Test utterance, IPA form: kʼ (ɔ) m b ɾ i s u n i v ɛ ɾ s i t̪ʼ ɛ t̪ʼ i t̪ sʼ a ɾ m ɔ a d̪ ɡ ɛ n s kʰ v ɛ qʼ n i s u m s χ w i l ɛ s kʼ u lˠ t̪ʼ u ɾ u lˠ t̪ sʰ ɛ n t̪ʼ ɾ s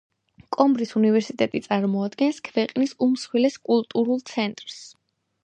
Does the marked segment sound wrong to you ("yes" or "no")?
no